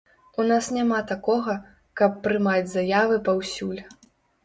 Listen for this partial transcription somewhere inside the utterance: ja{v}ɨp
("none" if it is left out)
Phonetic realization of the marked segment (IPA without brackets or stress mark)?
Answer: v